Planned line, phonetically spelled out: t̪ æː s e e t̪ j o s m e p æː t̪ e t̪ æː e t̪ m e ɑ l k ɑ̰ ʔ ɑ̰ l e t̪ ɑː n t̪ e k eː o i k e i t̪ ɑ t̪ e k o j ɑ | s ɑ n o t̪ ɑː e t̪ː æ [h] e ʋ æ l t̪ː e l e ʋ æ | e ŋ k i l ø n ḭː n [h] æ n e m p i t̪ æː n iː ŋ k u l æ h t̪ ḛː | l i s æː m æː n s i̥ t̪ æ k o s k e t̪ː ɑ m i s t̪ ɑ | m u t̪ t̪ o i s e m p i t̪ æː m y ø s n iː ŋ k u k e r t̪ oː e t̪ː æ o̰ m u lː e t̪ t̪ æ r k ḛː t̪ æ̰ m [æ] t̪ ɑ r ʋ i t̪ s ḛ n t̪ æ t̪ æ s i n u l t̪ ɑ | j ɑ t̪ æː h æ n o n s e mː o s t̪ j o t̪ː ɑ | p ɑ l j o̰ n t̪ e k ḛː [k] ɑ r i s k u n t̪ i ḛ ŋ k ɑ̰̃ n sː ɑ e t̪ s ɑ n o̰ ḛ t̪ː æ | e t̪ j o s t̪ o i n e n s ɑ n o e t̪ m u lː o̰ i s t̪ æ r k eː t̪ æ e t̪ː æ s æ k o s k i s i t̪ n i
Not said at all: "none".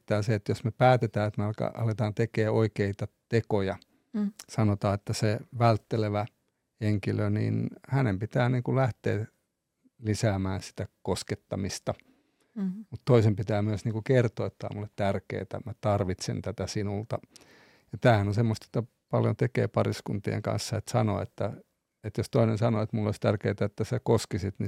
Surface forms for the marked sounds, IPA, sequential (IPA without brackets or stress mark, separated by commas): s, h, æ, p